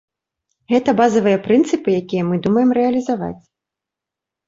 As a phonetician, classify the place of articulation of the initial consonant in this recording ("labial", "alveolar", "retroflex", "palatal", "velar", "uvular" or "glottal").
velar